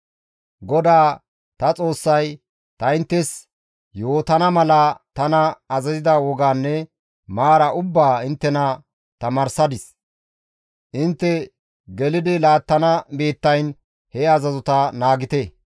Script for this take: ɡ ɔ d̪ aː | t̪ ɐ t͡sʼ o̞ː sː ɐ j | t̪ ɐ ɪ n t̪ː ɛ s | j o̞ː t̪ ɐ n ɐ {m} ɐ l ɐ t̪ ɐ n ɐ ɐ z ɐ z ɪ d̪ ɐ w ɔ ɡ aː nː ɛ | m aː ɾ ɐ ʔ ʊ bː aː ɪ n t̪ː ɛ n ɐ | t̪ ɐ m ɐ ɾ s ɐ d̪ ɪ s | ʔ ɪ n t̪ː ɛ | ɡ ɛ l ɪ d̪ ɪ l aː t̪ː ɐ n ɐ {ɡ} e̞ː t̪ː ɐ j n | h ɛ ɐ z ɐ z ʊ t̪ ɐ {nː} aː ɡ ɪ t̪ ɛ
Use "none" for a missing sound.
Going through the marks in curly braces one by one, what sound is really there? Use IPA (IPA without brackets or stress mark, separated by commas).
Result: m, b, n